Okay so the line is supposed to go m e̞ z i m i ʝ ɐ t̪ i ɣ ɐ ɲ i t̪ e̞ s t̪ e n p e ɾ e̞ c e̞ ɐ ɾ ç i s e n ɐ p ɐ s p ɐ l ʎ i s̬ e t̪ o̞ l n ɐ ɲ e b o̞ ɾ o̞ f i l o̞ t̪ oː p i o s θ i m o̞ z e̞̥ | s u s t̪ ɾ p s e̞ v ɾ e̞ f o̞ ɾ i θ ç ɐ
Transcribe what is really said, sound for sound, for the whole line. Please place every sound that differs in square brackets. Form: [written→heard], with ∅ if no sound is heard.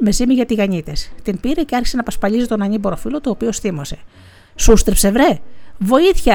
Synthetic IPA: m e̞ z i m i ʝ ɐ t̪ i ɣ ɐ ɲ i t̪ e̞ s t̪ [e→i] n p [e→i] ɾ e̞ c e̞ ɐ ɾ ç i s e n ɐ p ɐ s p ɐ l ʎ i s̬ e t̪ o̞ [l→∅] n ɐ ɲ [e→i] b o̞ ɾ o̞ f i l o̞ t̪ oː p i o s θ i m o̞ [z→s] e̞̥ | s u s t̪ ɾ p s e̞ v ɾ e̞ [f→v] o̞ [ɾ→∅] i θ ç ɐ